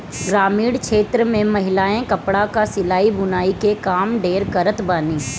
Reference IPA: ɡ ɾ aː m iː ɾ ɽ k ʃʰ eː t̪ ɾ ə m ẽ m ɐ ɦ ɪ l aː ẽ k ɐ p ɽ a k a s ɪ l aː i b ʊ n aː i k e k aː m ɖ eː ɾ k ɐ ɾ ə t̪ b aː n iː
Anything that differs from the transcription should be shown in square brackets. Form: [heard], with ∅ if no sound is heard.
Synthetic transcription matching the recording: ɡ ɾ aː m iː [∅] ɽ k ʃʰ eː t̪ ɾ ə m ẽ m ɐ ɦ ɪ l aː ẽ k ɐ p ɽ a k a s ɪ l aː i b ʊ n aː i k e k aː m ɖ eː ɾ k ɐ ɾ ə t̪ b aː n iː